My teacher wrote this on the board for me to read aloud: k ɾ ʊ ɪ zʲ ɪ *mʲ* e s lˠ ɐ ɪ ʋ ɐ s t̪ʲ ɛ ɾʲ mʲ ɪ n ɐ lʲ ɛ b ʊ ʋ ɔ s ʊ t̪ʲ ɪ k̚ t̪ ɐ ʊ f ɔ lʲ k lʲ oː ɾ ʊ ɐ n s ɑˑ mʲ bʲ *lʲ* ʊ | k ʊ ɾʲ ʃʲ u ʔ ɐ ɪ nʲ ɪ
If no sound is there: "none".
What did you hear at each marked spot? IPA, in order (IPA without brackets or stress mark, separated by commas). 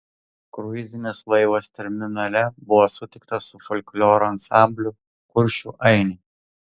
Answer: nʲ, lʲ